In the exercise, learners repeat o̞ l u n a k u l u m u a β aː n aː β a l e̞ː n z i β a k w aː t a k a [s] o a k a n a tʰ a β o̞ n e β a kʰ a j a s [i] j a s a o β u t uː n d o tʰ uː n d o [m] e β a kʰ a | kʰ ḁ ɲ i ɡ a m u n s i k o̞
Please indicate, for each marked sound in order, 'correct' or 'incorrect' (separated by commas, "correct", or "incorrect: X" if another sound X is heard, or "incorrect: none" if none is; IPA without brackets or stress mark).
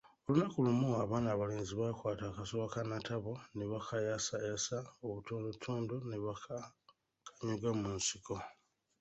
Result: correct, incorrect: a, incorrect: n